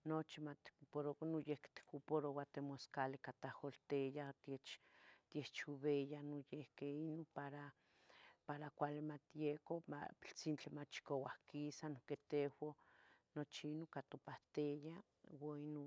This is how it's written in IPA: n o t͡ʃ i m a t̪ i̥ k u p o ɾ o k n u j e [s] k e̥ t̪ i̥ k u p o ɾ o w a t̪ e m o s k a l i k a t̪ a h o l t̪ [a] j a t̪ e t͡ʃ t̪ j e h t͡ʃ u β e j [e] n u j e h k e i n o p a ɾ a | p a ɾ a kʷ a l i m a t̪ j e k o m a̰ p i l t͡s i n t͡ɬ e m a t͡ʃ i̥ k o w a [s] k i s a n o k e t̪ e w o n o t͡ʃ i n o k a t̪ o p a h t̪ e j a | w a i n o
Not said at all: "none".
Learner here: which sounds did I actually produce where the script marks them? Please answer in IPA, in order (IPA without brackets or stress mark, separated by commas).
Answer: h, e, a, h